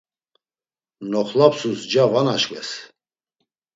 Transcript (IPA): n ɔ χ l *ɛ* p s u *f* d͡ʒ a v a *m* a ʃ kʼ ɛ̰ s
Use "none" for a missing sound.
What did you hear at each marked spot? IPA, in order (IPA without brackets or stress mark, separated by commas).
a, s, n